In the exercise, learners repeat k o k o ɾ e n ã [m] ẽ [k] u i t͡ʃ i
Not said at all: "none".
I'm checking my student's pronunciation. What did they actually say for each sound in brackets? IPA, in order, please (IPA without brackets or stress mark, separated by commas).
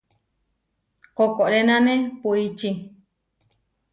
n, p